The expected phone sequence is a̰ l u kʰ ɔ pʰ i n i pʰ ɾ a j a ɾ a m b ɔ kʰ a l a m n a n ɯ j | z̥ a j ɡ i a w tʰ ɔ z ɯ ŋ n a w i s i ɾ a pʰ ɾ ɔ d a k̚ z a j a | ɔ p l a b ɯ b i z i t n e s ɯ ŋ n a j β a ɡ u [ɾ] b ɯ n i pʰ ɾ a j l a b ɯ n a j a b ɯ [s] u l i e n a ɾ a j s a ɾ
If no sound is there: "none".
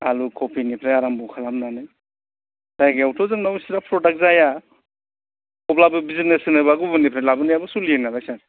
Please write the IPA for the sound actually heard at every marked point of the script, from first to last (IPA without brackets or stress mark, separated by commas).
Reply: none, s